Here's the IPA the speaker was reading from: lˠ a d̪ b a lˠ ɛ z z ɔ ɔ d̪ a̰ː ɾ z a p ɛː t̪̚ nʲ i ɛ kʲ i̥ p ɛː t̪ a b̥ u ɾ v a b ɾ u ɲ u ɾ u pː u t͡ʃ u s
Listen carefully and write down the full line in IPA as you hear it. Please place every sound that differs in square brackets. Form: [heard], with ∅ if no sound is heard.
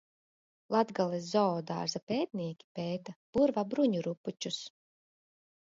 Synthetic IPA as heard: lˠ a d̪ [ɡ] a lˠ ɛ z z ɔ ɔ d̪ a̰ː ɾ z a p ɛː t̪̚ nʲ i ɛ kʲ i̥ p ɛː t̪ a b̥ u ɾ v a b ɾ u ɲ u ɾ u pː u t͡ʃ u s